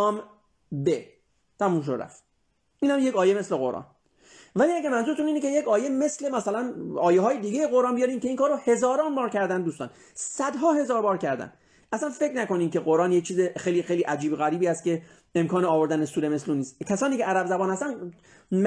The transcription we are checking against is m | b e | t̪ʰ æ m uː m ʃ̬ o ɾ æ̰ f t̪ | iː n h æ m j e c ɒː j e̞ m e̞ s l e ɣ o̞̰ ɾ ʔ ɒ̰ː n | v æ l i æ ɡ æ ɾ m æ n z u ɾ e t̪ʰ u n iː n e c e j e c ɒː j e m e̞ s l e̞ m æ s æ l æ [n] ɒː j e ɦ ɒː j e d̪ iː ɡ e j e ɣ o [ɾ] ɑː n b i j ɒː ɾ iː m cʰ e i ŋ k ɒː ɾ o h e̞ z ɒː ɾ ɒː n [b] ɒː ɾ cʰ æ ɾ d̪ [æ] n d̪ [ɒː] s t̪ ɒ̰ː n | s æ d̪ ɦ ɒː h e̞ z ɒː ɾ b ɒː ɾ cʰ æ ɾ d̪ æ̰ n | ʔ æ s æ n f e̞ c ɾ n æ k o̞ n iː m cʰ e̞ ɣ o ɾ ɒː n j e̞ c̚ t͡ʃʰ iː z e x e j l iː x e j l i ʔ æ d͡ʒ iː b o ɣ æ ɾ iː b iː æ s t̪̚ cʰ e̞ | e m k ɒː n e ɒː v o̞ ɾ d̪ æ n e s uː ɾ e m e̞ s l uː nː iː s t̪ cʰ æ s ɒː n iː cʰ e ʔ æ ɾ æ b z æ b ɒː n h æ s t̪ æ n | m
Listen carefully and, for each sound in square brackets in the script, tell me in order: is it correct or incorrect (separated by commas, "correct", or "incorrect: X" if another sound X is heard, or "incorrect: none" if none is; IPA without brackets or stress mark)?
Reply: correct, correct, correct, correct, incorrect: uː